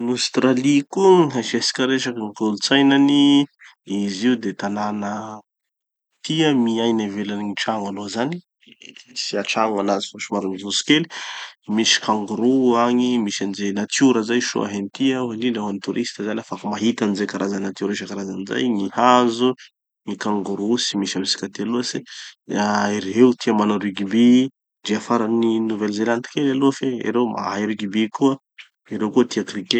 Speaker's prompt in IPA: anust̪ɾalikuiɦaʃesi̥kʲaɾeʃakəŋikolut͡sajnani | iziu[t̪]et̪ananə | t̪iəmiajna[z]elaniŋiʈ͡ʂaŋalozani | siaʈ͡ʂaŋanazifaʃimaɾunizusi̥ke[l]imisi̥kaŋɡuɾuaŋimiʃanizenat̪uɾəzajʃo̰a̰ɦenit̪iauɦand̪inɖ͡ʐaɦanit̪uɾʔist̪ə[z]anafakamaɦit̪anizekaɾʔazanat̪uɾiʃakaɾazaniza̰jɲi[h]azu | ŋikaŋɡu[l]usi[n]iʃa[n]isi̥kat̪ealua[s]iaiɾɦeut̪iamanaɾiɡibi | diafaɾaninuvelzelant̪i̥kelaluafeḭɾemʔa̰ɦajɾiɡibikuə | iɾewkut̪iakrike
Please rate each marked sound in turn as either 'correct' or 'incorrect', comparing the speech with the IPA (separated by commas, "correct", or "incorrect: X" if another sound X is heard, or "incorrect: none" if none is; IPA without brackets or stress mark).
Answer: incorrect: d̪, incorrect: v, correct, correct, correct, incorrect: ɾ, incorrect: m, incorrect: m, correct